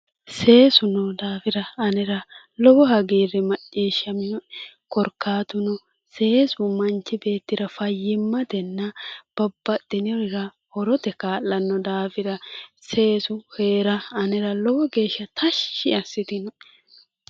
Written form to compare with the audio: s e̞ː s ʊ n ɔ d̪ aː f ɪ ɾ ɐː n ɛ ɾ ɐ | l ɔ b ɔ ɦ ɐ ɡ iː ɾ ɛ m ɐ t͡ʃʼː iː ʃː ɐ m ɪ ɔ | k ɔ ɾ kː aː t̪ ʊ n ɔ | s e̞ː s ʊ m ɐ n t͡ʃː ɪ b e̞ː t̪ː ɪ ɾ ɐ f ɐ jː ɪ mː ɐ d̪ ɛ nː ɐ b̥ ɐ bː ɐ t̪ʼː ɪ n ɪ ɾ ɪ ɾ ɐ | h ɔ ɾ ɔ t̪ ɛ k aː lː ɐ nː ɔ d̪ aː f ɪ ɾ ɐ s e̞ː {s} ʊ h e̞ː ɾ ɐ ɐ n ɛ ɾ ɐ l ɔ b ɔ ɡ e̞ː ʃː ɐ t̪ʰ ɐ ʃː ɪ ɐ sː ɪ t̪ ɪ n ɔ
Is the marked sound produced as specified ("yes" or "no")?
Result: yes